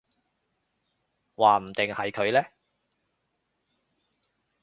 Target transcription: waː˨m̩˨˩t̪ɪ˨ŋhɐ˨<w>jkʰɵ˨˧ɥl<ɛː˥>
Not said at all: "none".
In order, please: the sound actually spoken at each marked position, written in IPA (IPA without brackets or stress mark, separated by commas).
none, ɛː˥